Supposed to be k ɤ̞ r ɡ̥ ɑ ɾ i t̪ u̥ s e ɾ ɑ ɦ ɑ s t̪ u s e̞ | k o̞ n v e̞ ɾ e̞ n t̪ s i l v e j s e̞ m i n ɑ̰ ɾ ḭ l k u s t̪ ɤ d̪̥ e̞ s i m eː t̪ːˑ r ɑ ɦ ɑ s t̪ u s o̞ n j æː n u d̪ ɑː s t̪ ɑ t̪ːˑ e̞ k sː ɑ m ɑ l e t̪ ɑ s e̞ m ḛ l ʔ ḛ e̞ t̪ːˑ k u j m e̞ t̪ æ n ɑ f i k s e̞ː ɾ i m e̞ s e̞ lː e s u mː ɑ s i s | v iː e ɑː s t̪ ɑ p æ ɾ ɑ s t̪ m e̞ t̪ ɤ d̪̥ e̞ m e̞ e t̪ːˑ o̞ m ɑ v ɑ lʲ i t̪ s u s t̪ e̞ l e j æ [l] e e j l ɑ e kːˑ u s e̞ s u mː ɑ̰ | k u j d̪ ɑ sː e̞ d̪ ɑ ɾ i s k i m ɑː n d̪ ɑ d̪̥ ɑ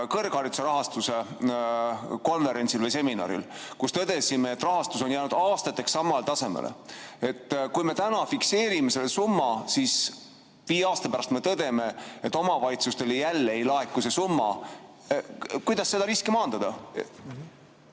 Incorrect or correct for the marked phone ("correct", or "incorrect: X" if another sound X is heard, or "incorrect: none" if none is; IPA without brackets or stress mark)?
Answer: incorrect: lː